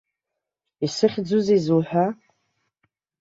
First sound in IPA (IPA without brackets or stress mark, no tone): i